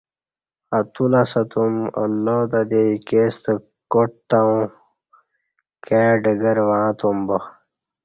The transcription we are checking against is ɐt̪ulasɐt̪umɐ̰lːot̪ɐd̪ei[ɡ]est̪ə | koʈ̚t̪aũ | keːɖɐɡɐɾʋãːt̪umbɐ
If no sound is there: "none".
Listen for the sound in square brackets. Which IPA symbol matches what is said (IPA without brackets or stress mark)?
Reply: k